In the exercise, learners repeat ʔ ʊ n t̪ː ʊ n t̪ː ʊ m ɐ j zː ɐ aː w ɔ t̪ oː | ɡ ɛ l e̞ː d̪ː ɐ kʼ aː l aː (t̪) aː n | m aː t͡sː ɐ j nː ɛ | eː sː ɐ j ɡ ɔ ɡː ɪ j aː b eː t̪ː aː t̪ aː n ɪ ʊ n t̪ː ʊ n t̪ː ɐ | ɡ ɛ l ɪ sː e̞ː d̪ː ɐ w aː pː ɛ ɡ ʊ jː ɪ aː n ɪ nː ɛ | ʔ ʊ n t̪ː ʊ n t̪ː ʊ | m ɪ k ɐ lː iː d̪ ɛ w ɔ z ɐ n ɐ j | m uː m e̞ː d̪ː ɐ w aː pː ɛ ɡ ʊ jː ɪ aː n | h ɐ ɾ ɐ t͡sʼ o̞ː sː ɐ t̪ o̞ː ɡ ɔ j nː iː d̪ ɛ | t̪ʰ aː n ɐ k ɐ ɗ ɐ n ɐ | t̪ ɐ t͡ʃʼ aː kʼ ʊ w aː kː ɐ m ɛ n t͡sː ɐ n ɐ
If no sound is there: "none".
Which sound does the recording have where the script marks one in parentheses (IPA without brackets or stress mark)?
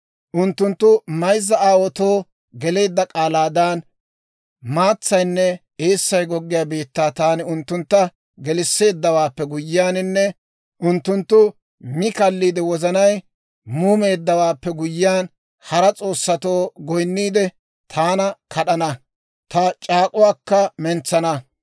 d̪